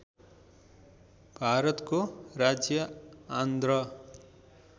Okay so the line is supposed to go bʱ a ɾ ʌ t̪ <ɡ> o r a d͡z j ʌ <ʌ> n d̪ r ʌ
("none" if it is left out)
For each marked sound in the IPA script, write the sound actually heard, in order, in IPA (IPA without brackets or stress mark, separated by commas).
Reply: k, a